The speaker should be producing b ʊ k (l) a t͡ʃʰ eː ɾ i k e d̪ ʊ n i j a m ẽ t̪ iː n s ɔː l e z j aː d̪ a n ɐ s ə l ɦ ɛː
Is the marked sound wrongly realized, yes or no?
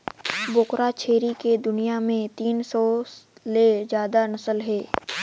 yes